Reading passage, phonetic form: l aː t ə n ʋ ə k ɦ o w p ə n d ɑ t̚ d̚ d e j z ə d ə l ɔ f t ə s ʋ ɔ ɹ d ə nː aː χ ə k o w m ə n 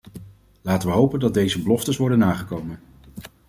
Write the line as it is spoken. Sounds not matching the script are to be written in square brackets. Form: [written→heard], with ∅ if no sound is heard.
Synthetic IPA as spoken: l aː t ə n ʋ ə [k→∅] ɦ o w p ə n d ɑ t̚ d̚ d e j z ə [d→b] ə l ɔ f t ə s ʋ ɔ ɹ d ə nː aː χ ə k o w m ə n